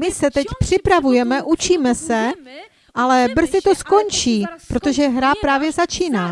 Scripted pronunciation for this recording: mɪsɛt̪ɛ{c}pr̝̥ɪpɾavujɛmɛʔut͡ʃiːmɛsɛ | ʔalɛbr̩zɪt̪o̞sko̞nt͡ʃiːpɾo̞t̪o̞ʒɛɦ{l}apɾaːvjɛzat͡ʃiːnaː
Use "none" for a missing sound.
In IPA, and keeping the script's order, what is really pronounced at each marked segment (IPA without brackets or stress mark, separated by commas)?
c, ɾ